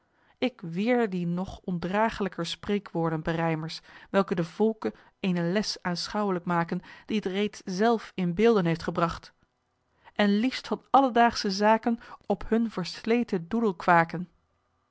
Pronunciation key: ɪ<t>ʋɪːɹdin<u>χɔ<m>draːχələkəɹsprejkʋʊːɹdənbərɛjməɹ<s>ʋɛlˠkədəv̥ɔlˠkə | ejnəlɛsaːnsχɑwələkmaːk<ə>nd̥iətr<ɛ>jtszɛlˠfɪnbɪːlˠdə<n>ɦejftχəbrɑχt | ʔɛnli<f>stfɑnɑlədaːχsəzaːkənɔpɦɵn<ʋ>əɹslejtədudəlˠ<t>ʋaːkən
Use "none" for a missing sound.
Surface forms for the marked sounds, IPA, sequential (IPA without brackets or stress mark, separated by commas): k, ɔ, n, s, ə, e, n, f, v, k